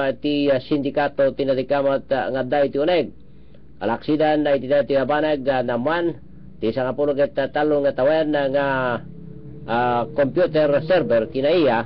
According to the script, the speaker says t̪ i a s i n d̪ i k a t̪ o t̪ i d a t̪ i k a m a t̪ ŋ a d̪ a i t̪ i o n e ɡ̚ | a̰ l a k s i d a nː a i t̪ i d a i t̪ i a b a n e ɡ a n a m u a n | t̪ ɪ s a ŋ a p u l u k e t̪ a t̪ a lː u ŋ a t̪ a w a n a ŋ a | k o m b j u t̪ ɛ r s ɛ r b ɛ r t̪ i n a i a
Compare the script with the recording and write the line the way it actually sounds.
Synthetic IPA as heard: t̪ i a s i n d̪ i k a t̪ o t̪ i n a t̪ i k a m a t̪ ŋ a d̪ a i t̪ i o n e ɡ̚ | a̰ l a k s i d a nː a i t̪ i d a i t̪ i a b a n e ɡ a n a m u a n | t̪ i s a ŋ a p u l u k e t̪ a t̪ a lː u ŋ a t̪ a w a n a ŋ a | k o m p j u t̪ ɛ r s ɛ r b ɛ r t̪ i n a i a